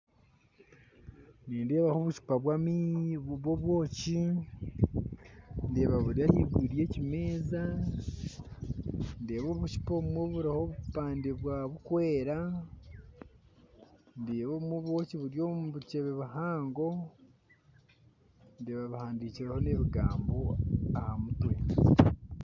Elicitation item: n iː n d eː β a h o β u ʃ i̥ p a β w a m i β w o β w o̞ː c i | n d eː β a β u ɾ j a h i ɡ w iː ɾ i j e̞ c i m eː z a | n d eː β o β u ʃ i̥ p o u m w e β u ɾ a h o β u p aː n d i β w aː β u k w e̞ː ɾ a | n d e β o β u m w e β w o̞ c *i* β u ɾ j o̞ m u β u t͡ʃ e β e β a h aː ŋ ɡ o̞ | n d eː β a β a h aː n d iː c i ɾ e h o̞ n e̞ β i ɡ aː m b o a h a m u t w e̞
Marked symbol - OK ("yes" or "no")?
yes